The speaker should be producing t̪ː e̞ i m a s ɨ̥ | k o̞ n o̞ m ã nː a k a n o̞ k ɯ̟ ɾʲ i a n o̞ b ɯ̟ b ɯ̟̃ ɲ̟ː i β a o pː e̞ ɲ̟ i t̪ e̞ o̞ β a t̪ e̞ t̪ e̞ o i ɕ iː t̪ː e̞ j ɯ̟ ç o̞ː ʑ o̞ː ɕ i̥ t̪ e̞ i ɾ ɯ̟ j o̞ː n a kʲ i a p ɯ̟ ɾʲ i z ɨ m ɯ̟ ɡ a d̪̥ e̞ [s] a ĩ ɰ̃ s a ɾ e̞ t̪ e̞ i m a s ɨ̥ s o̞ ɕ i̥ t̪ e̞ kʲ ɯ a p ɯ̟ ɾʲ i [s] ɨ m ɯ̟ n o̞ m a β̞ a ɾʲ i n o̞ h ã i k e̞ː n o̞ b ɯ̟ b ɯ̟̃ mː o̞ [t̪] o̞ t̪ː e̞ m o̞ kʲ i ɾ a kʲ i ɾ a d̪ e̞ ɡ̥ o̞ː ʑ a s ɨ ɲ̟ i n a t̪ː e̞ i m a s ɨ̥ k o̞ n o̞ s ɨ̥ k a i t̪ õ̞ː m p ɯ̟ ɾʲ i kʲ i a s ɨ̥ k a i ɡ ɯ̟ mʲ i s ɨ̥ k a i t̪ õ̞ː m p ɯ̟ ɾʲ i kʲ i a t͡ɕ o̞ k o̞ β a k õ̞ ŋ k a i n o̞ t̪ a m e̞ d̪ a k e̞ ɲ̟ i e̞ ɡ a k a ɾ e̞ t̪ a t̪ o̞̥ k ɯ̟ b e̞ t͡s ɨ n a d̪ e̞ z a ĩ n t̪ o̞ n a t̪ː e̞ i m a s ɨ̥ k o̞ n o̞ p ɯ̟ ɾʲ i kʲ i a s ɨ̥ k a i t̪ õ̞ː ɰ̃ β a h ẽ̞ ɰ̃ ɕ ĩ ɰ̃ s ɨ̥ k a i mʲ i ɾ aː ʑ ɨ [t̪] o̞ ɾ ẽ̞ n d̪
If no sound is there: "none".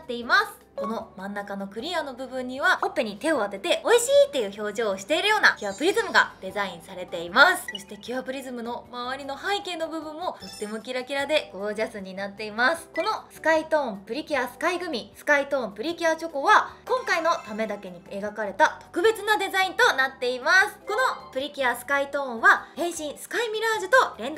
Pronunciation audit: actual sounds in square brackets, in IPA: z, z, t̪, t̪

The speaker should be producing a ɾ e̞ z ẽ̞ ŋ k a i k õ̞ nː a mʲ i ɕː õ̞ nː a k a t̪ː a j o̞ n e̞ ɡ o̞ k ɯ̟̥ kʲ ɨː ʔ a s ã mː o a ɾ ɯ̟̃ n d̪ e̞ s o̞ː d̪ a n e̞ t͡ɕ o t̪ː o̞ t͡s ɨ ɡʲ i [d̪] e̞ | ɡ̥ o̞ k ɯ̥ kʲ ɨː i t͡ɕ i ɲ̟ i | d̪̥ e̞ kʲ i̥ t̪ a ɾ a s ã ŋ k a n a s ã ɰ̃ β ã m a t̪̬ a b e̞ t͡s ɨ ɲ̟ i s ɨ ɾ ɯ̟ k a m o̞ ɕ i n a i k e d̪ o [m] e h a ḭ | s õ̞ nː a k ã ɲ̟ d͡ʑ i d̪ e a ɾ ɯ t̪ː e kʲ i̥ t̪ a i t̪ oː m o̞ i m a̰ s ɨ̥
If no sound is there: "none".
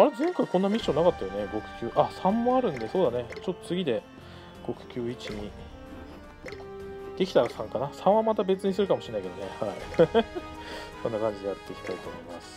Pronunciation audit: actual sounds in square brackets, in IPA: d̪, n

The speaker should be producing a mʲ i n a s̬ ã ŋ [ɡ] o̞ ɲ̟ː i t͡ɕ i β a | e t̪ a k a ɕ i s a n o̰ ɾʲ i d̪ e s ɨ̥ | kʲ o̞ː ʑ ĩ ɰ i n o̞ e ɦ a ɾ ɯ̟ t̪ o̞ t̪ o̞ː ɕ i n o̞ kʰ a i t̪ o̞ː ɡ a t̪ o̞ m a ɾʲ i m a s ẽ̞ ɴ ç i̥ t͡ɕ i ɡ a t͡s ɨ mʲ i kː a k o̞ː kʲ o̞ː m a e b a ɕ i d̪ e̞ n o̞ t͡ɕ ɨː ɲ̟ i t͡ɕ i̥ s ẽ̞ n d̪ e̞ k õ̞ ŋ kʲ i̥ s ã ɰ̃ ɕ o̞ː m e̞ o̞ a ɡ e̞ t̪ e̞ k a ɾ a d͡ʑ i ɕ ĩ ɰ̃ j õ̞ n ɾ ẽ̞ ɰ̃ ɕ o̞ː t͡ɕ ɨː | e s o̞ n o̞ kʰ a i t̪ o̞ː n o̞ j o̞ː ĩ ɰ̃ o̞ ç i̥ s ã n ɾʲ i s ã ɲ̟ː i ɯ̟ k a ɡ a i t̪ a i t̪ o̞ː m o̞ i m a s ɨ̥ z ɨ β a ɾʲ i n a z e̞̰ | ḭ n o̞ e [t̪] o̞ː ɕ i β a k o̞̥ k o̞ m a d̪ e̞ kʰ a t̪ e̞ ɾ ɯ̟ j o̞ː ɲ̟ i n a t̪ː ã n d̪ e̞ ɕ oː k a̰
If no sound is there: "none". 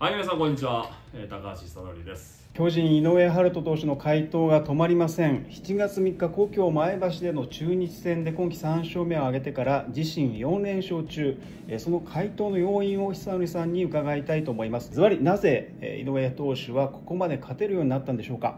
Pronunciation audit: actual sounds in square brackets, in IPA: k, t̪

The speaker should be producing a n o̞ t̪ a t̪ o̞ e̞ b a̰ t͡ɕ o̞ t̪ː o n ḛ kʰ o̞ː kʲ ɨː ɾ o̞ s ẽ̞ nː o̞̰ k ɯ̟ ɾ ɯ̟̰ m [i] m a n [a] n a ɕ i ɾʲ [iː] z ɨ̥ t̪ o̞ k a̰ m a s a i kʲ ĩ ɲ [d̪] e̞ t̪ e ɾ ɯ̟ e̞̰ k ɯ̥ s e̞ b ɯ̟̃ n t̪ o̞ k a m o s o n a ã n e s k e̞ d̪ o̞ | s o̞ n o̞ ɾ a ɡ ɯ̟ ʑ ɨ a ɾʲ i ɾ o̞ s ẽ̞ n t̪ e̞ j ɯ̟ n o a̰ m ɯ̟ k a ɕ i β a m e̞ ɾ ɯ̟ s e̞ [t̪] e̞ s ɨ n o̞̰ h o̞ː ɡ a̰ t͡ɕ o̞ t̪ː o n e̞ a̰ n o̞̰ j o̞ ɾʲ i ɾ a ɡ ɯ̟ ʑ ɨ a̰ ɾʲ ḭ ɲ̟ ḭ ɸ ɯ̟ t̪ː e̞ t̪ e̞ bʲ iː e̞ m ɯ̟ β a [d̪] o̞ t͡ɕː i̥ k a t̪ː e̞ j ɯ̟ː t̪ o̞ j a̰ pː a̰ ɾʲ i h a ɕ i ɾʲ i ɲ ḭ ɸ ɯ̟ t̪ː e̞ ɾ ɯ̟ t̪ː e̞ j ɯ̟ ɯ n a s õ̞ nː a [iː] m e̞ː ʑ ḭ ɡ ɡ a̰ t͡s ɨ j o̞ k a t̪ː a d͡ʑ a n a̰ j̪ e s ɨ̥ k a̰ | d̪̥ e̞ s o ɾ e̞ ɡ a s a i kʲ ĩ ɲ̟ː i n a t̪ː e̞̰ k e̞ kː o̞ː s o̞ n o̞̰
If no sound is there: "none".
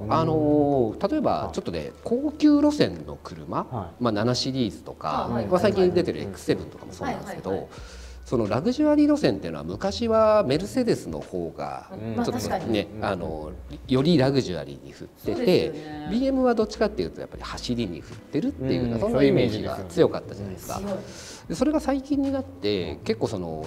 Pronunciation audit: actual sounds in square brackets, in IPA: a, a, iː, d̪, d̪, d̪, i

